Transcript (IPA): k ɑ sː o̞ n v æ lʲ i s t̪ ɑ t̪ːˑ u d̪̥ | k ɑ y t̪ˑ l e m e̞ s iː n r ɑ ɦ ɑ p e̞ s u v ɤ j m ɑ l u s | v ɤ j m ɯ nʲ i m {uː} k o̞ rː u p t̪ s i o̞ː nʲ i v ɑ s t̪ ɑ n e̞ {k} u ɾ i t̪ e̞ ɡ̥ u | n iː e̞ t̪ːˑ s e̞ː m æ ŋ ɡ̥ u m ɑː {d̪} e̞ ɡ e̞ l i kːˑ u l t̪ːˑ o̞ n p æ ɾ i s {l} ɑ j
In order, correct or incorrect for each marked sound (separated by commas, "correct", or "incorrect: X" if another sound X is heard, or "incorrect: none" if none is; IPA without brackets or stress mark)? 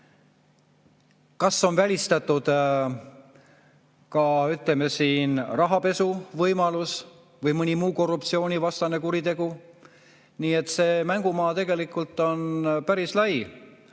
correct, correct, incorrect: t̪, correct